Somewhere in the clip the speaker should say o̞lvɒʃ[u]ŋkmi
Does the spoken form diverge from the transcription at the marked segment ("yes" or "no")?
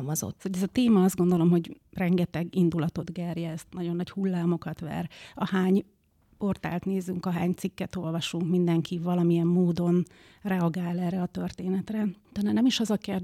no